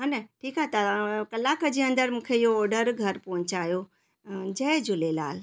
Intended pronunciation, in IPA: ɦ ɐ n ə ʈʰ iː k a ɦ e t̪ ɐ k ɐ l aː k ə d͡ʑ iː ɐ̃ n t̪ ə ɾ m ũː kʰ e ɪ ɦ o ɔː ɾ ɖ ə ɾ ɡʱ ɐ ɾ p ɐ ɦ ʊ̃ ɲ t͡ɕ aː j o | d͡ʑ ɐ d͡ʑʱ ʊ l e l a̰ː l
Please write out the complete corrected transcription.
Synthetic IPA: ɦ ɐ n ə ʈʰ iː k a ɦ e t̪ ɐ k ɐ l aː k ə d͡ʑ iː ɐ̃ n d̪ ə ɾ m ũː kʰ e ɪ ɦ o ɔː ɾ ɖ ə ɾ ɡʱ ɐ ɾ p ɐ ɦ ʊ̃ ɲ t͡ɕ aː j o | d͡ʑ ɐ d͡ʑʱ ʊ l e l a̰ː l